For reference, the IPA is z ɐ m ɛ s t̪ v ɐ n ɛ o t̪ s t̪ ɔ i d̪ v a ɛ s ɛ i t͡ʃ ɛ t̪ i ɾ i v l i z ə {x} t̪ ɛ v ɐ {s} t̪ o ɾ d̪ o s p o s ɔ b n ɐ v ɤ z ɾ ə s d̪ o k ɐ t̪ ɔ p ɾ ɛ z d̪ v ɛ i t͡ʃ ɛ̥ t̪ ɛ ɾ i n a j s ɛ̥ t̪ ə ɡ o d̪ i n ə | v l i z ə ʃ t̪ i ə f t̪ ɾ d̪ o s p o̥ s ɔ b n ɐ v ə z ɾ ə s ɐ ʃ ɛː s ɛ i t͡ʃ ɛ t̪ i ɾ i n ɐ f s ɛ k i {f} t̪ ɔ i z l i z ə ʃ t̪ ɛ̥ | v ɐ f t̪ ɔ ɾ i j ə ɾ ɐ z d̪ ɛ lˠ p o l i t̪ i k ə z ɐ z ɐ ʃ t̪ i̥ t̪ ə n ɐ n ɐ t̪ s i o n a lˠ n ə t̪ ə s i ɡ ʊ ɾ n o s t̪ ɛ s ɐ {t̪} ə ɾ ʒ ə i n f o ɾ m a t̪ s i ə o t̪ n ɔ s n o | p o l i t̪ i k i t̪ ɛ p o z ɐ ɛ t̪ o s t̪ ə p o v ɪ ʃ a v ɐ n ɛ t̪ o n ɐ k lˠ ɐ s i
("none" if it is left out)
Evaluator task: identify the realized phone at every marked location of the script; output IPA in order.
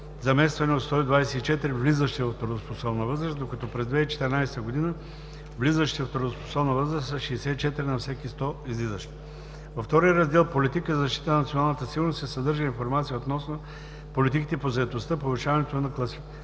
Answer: ʃ, f, s, d̪

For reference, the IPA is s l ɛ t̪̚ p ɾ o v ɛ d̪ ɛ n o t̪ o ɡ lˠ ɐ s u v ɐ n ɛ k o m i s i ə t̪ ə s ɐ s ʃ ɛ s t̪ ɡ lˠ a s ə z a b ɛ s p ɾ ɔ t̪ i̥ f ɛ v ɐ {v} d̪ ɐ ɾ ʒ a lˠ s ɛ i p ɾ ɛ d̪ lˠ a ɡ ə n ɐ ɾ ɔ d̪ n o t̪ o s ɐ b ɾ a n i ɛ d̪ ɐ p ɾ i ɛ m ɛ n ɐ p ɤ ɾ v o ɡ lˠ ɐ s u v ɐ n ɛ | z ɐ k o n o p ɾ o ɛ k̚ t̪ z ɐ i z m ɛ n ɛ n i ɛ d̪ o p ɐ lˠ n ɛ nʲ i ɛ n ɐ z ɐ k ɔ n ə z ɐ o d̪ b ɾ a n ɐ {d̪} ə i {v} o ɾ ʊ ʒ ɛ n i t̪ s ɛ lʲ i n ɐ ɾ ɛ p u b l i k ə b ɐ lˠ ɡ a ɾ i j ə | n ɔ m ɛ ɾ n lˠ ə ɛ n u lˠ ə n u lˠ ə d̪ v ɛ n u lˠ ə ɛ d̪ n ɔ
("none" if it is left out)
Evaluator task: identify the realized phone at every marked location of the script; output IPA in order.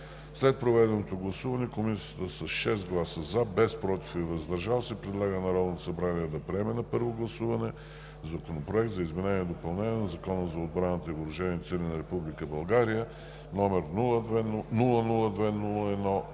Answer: z, t̪, v

